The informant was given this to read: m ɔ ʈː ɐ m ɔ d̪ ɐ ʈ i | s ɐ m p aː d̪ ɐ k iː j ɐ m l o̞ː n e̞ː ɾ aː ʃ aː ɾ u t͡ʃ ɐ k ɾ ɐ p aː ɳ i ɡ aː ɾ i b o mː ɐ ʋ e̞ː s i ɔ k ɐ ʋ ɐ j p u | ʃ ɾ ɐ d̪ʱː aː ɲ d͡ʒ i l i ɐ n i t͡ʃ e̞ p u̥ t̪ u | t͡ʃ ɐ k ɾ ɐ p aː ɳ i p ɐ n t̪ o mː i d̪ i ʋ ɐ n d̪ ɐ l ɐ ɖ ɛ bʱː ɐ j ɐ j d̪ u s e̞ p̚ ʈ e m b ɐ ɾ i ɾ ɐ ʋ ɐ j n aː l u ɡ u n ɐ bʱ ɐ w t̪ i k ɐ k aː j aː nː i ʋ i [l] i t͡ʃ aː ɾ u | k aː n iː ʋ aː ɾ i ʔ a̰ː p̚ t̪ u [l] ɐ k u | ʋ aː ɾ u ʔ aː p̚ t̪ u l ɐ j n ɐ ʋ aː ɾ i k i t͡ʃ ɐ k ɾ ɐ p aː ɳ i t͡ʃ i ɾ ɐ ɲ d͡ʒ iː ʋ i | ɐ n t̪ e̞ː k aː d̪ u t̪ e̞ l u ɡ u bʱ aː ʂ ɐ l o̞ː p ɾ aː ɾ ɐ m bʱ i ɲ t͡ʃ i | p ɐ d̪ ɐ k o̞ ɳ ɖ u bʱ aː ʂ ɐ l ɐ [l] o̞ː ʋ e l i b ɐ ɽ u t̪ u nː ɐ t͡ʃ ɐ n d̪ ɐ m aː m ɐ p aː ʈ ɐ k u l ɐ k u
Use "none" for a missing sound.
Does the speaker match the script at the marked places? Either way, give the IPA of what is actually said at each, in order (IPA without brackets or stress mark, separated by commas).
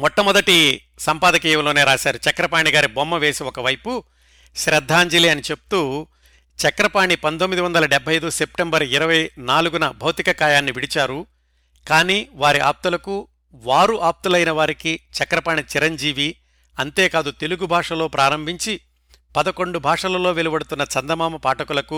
ɽ, l, l